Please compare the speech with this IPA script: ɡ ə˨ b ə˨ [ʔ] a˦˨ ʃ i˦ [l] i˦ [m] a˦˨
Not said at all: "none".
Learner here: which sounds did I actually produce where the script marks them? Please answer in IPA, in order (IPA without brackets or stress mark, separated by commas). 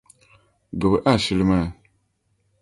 ʔ, l, m